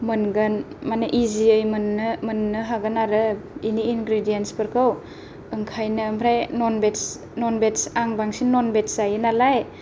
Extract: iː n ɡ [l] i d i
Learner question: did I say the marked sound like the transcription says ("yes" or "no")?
no